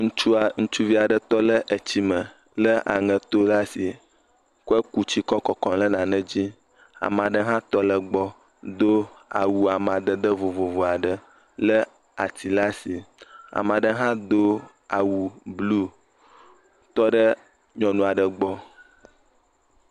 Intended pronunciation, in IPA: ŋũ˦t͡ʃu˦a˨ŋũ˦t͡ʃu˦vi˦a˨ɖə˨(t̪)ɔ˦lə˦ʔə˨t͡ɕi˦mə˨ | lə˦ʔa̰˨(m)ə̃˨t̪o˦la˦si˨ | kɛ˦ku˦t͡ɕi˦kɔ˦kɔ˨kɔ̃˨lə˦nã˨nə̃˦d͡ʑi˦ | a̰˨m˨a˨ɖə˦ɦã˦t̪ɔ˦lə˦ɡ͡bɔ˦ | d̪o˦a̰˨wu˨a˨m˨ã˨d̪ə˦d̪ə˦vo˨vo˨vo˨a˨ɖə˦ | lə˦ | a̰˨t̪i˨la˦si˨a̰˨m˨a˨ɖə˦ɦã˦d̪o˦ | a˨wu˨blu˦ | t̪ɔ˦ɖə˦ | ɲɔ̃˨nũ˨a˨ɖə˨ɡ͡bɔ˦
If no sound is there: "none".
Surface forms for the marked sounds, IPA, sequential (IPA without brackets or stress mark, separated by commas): t̪, ŋ